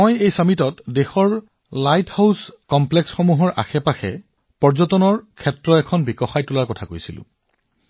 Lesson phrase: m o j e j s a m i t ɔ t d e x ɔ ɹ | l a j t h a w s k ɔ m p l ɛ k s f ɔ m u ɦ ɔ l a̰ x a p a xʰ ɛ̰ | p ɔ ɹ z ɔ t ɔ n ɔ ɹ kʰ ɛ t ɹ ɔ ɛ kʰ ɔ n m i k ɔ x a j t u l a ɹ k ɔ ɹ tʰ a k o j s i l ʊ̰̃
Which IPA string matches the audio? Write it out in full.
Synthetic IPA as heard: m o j e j s a m i t ɔ t d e x ɔ ɹ | l a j t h a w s k ɔ m p l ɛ k s x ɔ m u ɦ ɔ ɹ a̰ x ɛ p a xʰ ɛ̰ | p ɔ ɹ z ɔ t ɔ n ɔ ɹ kʰ ɛ t ɹ ɔ ɛ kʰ ɔ n b i k ɔ x a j t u l a ɹ k ɔ tʰ a k o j s i l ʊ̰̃